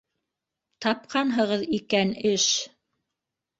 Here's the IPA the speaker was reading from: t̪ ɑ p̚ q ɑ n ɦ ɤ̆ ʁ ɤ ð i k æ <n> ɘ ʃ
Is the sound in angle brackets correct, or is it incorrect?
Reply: correct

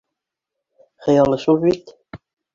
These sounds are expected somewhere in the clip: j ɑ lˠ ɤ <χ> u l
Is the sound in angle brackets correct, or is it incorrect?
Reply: incorrect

